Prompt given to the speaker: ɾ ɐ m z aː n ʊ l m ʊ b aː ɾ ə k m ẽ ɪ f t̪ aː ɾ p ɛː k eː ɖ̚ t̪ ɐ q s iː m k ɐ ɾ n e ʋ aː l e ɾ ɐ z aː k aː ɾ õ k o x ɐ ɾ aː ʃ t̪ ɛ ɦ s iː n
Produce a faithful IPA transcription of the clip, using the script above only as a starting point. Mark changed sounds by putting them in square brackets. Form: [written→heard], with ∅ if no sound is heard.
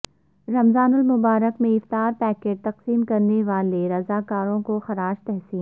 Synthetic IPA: ɾ ɐ m z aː n ʊ l m ʊ b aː ɾ ə k m ẽ ɪ f t̪ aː ɾ p ɛː k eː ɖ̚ t̪ ɐ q s iː m k ɐ ɾ n e ʋ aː l e ɾ ɐ z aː k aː ɾ õ k o x ɐ ɾ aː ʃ t̪ ɛ ɦ s iː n